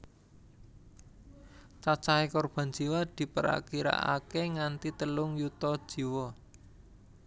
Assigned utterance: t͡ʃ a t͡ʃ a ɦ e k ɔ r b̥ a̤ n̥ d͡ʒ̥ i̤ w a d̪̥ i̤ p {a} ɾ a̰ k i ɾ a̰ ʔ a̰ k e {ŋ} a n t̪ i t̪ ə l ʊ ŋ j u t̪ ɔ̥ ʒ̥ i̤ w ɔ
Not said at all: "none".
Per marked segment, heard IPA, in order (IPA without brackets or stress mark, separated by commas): ə, ŋ